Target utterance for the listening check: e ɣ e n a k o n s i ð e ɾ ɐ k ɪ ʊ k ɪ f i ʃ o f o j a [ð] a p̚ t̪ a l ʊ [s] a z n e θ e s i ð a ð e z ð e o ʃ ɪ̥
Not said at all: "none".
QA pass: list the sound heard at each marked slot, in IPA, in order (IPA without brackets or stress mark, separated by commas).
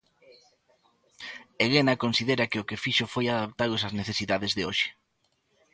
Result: ð, s